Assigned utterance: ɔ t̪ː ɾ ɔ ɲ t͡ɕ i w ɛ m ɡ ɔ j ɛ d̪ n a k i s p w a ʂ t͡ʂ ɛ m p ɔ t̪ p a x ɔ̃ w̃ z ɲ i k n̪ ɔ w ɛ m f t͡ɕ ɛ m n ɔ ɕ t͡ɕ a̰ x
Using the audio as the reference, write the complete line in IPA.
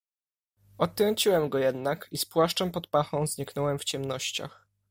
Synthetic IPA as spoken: ɔ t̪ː ɾ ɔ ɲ t͡ɕ i w ɛ m ɡ ɔ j ɛ d̪ n a k i s p w a ʂ t͡ʂ ɛ m p ɔ t̪ p a x ɔ̃ w̃ z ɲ i k n̪ ɔ w ɛ m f t͡ɕ ɛ m n ɔ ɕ t͡ɕ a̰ x